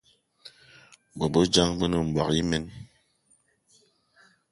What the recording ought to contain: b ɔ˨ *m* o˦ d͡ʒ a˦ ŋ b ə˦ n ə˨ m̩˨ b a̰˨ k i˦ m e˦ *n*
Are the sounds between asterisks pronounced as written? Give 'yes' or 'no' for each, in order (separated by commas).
no, yes